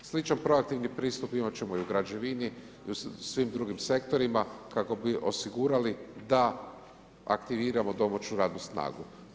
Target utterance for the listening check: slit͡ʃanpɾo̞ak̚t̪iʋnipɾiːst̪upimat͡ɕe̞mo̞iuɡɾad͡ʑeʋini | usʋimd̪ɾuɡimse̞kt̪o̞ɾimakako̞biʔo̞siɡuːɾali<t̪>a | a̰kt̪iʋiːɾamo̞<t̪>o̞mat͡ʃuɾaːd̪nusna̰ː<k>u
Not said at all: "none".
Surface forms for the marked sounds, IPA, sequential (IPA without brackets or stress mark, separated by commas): d̪, d̪, ɡ